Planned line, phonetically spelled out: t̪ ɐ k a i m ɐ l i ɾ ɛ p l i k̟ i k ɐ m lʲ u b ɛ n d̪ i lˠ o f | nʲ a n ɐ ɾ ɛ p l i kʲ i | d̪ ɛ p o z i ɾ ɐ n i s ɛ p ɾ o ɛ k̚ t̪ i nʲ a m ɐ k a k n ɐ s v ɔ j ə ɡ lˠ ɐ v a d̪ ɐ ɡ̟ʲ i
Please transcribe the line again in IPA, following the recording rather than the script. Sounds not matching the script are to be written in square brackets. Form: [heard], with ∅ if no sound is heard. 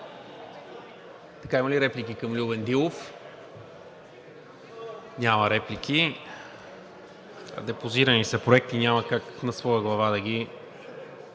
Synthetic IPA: t̪ ɐ k a i m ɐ l i ɾ ɛ p l i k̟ i k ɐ m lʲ u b ɛ n d̪ i lˠ o f | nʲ a [m] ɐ ɾ ɛ p l i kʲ i | d̪ ɛ p o z i ɾ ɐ n i s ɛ p ɾ o ɛ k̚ t̪ i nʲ a m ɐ k a k n ɐ s v ɔ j ə ɡ lˠ ɐ v a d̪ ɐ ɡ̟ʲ i

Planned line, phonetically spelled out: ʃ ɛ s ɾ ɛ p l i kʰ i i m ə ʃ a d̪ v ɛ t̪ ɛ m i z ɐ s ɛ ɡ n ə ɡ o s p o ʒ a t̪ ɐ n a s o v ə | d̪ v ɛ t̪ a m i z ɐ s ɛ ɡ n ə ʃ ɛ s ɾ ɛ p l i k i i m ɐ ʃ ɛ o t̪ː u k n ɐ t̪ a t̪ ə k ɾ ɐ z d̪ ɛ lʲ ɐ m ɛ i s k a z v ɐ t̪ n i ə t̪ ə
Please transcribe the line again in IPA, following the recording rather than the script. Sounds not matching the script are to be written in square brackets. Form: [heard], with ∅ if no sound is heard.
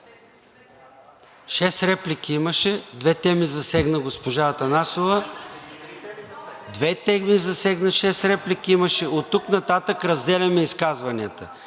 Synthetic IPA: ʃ ɛ s ɾ ɛ p l i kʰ i i m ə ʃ [ɛ] d̪ v ɛ t̪ ɛ m i z ɐ s ɛ ɡ n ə ɡ o s p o ʒ a t̪ ɐ n a s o v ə | d̪ v ɛ t̪ [ɛ] m i z ɐ s ɛ ɡ n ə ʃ ɛ s ɾ ɛ p l i k i i m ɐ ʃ ɛ o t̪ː u k n ɐ t̪ a t̪ ə k ɾ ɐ z d̪ ɛ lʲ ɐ m ɛ i s k a z v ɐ [∅] n i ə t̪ ə

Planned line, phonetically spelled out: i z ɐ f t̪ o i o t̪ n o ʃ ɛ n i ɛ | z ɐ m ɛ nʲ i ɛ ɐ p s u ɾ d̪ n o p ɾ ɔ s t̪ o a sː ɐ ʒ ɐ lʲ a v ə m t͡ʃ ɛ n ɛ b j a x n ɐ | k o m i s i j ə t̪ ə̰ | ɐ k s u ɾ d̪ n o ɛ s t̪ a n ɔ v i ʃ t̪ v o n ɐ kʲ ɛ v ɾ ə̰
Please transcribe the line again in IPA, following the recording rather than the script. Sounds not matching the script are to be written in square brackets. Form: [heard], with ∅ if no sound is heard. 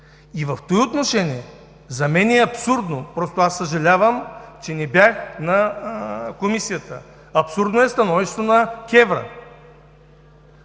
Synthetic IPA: i [v] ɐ f t̪ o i o t̪ n o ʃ ɛ n i ɛ | z ɐ m ɛ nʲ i ɛ ɐ p s u ɾ d̪ n o p ɾ ɔ s t̪ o a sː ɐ ʒ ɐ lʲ a v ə m t͡ʃ ɛ n ɛ b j a x n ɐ | k o m i s i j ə t̪ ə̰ | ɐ [p] s u ɾ d̪ n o ɛ s t̪ [ɐ] n ɔ v i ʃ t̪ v o n ɐ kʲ ɛ v ɾ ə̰

